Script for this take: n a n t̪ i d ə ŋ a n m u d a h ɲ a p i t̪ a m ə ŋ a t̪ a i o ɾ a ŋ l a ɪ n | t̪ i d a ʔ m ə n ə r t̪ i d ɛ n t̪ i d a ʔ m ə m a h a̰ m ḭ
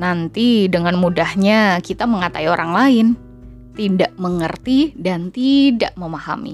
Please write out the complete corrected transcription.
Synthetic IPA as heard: n a n t̪ i d ə ŋ a n m u d a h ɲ a k i t̪ a m ə ŋ a t̪ a i o ɾ a ŋ l a ɪ n | t̪ i d a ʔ m ə ŋ ə r t̪ i d a n t̪ i d a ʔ m ə m a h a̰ m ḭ